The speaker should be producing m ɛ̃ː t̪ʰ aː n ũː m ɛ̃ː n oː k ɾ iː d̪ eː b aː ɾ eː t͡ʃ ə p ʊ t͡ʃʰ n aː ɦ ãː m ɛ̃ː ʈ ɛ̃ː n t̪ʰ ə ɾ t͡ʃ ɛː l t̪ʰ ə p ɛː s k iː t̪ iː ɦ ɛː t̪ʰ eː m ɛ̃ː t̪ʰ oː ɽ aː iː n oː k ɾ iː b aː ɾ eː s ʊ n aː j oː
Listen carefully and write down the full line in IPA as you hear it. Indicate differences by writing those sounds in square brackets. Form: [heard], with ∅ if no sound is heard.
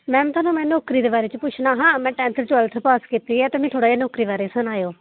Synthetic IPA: m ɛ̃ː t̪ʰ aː n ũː m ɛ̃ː n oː k ɾ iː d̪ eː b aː ɾ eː t͡ʃ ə p ʊ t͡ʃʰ n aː ɦ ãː m ɛ̃ː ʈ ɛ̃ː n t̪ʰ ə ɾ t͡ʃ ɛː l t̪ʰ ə p [aː] s k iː t̪ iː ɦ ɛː [t̪] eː m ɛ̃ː t̪ʰ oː ɽ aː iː n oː k ɾ iː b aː ɾ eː s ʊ n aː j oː